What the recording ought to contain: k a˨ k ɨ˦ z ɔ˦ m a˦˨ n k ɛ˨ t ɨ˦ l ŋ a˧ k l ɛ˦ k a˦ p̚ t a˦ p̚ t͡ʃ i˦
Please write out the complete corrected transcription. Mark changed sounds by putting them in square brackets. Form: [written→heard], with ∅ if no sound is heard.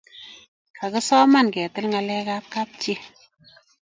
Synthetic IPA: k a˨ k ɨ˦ [z→s] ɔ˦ m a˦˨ n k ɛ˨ t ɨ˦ l ŋ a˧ [k→∅] l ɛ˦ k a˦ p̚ [t→k] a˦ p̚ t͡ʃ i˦

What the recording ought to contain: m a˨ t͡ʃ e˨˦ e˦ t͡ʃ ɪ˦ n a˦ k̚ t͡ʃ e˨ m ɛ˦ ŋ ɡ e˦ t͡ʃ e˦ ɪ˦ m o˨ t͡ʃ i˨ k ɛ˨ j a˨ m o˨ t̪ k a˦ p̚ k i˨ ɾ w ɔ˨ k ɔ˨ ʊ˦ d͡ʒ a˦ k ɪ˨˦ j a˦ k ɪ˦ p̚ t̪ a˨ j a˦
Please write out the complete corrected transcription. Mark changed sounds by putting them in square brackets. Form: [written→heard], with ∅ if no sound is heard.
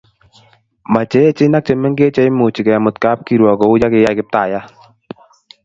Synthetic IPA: m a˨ t͡ʃ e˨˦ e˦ t͡ʃ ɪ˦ n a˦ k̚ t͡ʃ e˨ m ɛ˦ ŋ ɡ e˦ t͡ʃ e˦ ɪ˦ m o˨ t͡ʃ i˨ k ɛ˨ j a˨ m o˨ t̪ k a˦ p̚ k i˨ ɾ w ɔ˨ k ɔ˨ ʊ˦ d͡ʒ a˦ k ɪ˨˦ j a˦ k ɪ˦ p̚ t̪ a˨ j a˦

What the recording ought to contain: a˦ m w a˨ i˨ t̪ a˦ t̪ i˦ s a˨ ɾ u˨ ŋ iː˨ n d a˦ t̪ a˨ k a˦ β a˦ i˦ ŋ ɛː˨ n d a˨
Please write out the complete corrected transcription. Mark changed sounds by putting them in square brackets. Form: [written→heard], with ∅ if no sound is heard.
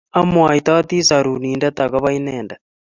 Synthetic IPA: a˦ m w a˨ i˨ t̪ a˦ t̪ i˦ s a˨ ɾ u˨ [ŋ→n] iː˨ n d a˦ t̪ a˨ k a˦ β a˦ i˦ [ŋ→n] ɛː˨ n d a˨

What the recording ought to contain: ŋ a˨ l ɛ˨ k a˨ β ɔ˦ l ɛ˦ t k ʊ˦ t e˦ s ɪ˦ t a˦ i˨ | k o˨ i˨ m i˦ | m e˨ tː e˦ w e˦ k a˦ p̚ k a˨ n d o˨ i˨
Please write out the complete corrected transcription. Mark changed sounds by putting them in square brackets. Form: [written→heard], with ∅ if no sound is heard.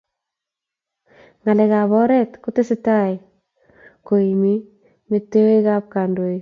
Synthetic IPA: ŋ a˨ l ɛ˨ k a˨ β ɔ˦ [l→ɾ] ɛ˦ t k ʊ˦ t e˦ s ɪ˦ t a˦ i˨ | k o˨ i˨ m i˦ | m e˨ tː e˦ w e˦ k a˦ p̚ k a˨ n d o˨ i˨

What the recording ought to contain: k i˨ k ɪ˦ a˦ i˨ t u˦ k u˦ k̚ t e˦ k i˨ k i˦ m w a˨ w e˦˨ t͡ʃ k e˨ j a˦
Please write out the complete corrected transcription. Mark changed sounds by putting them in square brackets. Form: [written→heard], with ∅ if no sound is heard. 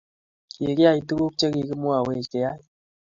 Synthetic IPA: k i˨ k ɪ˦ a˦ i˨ t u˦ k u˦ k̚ [t→t͡ʃ] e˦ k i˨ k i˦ m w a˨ w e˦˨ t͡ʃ k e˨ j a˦

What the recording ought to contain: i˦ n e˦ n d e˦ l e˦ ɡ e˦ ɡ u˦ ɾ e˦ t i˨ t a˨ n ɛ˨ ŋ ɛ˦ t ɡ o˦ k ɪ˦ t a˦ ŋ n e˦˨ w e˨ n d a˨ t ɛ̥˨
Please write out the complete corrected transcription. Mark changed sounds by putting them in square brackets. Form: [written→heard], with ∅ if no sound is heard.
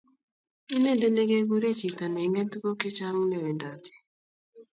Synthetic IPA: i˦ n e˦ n d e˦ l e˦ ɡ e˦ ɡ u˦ ɾ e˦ [t→t͡ʃ] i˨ t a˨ n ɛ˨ ŋ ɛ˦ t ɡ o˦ k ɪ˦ [t→t͡ʃ] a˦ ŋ n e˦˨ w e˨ n d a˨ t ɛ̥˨

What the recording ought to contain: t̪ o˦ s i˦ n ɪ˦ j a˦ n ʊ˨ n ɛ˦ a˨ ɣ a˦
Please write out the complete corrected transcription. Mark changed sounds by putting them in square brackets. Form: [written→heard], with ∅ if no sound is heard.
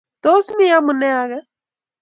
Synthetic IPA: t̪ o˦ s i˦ [n→m] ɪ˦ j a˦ [n→m] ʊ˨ n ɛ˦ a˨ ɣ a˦

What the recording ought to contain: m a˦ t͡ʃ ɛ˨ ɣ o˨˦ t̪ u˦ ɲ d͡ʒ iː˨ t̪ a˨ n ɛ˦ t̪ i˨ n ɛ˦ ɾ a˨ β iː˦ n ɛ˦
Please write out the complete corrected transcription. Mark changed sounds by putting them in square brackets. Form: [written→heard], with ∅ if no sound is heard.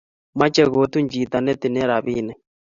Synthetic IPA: m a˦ t͡ʃ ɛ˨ ɣ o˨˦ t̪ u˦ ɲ d͡ʒ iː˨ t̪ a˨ n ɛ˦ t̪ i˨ n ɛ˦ ɾ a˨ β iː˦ n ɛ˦

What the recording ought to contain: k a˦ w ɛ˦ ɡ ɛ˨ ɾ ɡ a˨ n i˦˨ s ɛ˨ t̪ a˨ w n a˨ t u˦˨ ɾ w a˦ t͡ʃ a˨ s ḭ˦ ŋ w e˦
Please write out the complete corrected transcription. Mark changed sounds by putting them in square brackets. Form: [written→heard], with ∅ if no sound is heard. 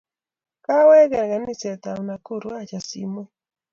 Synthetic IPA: k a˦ w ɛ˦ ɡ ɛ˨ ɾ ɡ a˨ n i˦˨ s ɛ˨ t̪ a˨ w n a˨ [t→k] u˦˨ ɾ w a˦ t͡ʃ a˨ s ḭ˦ [ŋ→m] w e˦

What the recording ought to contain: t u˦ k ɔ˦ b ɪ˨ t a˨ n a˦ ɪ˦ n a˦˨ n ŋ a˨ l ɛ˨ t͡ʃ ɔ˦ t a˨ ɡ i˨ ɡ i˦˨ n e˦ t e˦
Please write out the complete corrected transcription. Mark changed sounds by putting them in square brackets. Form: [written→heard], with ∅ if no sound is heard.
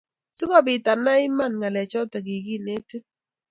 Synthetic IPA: [t→s] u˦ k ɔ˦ b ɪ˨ t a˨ n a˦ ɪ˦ [n→m] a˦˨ n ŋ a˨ l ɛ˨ t͡ʃ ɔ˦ t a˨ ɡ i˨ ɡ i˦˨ n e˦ t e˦

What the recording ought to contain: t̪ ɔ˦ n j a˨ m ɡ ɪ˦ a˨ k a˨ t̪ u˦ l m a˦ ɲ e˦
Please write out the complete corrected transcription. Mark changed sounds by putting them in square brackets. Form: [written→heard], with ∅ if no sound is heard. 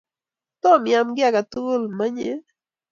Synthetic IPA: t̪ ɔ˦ [n→m] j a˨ m ɡ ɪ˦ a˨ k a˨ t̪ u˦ l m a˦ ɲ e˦

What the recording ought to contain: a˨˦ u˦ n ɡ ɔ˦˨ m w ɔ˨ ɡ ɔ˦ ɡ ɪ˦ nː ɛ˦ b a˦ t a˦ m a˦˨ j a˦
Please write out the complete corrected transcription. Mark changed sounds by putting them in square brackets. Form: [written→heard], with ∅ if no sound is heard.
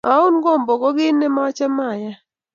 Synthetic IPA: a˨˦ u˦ n ɡ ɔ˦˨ m [w→b] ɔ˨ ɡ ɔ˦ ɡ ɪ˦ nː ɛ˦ [b→m] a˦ [t→t͡ʃ] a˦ m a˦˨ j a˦

